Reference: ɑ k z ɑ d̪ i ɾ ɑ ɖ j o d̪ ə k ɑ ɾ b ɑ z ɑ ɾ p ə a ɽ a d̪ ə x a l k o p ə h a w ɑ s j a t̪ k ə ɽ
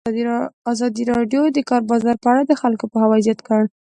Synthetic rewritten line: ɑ z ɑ d̪ i ɾ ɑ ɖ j o d̪ ə k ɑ ɾ b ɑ z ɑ ɾ p ə a ɽ a d̪ ə x a l k o p ə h a w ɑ z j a t̪ k ə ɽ